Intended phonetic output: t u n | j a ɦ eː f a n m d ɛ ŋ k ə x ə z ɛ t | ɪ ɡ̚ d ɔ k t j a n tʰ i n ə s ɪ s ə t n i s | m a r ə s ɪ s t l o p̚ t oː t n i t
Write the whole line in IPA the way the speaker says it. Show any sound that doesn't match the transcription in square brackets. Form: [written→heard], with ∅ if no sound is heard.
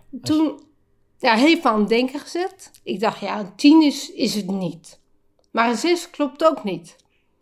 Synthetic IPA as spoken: t u n | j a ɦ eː f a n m d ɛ ŋ k ə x ə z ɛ t | ɪ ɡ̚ d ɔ [k→x] t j a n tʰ i n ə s ɪ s ə t n i [s→t] | m a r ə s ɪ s [t→k] l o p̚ t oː [t→k] n i t